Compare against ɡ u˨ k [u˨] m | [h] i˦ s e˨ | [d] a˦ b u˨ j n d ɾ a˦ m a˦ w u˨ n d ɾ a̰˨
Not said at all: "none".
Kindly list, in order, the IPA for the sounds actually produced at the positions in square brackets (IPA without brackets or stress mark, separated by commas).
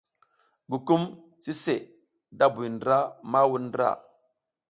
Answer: u˦, s, d